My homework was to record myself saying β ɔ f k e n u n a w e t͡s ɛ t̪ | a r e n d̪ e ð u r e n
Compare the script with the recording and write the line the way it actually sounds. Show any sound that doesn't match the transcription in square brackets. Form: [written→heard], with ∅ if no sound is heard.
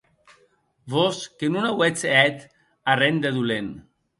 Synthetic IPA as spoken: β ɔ [f→s] k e n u n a w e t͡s ɛ t̪ | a r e n d̪ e ð u [r→l] e n